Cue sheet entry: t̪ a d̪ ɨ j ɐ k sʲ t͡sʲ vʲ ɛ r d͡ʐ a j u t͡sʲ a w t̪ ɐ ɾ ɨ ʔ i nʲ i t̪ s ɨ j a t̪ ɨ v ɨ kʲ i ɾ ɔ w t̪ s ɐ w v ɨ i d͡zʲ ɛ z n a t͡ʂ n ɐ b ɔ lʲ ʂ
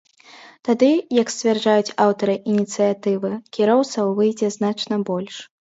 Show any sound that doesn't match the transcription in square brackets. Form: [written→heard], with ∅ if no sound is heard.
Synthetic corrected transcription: t̪ a d̪ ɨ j ɐ k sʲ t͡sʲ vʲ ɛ r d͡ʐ a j u t͡sʲ a w t̪ ɐ ɾ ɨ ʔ i nʲ i t̪ s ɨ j a t̪ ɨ v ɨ kʲ i ɾ ɔ w t̪ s ɐ w v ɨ [i→j] d͡zʲ ɛ z n a t͡ʂ n ɐ b ɔ lʲ ʂ